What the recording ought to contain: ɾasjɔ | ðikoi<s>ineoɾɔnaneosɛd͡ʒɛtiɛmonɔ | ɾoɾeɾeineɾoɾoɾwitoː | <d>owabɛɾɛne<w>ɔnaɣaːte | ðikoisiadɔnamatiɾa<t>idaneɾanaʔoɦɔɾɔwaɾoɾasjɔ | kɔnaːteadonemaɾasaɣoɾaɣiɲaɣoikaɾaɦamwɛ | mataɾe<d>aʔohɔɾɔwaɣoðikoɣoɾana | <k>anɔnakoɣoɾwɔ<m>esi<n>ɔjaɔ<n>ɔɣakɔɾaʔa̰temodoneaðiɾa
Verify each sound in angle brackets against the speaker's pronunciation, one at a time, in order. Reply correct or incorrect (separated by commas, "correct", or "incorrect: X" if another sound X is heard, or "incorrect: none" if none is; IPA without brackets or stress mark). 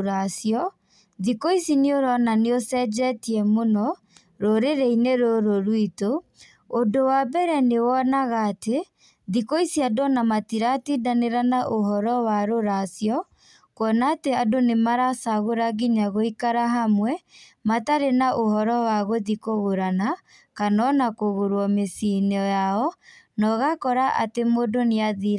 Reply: correct, correct, correct, correct, incorrect: n, correct, correct, correct, correct